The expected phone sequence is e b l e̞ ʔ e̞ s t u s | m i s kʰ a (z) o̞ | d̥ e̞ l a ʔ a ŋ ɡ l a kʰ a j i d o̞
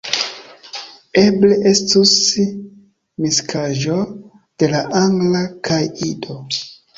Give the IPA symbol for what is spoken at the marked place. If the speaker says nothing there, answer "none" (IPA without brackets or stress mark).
ʒ